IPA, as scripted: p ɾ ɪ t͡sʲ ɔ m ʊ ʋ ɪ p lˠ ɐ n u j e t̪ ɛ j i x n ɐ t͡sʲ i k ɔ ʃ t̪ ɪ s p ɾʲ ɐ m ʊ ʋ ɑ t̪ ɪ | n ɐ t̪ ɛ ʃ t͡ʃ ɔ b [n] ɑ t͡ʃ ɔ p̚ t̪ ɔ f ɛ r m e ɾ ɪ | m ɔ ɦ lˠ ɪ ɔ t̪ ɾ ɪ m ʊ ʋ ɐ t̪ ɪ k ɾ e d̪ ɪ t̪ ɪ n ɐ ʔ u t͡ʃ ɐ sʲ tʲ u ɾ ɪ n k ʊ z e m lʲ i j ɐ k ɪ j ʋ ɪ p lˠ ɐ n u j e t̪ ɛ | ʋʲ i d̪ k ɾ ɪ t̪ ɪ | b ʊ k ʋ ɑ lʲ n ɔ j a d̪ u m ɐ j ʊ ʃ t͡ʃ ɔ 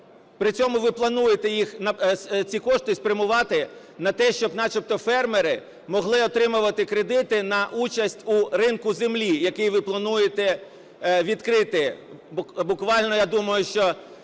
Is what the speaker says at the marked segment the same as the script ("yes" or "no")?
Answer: yes